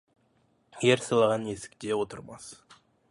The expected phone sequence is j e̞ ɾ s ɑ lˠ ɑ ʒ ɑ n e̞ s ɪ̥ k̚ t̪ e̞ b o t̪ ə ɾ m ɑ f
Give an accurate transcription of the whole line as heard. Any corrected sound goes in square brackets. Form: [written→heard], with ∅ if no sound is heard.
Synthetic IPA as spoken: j e̞ ɾ s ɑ lˠ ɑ [ʒ→ʁ] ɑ n e̞ s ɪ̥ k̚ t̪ e̞ [b→w] o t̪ ə ɾ m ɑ [f→s]